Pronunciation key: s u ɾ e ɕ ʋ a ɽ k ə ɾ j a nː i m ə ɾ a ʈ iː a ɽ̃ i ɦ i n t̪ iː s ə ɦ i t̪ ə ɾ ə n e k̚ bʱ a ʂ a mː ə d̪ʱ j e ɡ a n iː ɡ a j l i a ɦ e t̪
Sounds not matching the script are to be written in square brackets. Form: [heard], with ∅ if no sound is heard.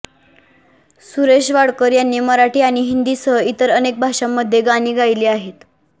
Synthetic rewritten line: s u ɾ e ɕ ʋ a ɽ k ə ɾ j a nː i m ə ɾ a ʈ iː a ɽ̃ i ɦ i n [d̪] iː s ə ɦ i t̪ ə ɾ ə n e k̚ bʱ a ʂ a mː ə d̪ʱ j e ɡ a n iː ɡ a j l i a ɦ e t̪